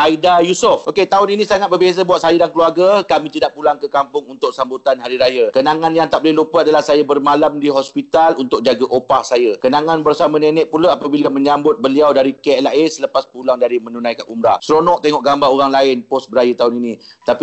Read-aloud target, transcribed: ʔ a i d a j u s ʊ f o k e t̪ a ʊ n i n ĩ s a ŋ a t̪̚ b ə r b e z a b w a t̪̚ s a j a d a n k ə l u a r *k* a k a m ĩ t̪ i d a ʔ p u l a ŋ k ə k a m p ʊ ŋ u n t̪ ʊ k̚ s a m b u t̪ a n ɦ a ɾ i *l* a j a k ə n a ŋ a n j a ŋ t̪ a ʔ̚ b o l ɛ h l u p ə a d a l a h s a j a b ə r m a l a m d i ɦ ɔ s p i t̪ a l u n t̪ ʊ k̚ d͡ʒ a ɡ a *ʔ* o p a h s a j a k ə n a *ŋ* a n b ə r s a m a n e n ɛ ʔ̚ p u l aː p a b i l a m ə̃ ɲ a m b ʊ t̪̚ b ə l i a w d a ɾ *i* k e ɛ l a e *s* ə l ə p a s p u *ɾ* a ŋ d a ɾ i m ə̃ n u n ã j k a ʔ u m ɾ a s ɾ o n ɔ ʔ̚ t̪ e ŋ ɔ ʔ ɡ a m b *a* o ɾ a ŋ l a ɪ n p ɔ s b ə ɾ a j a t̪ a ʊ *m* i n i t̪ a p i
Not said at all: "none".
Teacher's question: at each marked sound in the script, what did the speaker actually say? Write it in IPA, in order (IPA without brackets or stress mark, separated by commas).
ɡ, ɾ, ʔ, ŋ, i, s, l, a, n